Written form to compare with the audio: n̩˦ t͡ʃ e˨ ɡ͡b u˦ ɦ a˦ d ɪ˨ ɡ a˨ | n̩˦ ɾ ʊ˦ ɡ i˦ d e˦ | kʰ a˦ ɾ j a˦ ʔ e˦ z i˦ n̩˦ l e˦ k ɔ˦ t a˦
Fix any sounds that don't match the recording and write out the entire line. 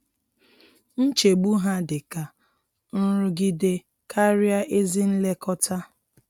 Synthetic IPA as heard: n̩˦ t͡ʃ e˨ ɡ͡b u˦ ɦ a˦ d ɪ˨ k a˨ | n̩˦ ɾ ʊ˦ ɡ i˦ d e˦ | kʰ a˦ ɾ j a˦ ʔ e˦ z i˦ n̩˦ l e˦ k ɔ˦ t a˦